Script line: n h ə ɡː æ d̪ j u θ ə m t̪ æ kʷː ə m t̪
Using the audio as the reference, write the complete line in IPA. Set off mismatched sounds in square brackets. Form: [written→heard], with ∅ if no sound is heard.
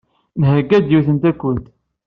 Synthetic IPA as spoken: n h ə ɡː æ d̪ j u θ ə [m→n] t̪ æ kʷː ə [m→n] t̪